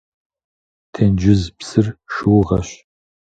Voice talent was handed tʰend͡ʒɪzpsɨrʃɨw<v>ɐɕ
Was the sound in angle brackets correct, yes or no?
no